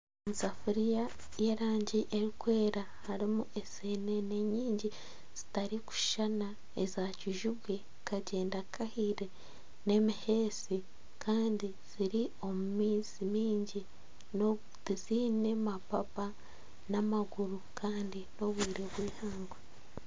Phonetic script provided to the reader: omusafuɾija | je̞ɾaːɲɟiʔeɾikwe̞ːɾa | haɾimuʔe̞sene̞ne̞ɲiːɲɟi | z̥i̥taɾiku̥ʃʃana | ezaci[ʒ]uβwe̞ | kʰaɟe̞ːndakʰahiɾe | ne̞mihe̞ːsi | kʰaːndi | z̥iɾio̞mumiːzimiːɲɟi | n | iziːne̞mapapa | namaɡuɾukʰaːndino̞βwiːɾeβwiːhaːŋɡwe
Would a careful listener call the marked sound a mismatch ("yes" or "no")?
no